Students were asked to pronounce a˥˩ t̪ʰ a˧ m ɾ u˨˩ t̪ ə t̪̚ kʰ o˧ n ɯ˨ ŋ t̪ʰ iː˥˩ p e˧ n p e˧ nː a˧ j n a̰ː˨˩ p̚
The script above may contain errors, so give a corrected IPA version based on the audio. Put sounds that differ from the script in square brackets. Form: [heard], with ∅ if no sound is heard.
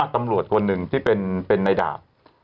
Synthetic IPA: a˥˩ [t̪] a˧ m ɾ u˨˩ [∅] ə t̪̚ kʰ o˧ [nː] ɯ˨ ŋ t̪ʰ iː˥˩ p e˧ n p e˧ nː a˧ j [d] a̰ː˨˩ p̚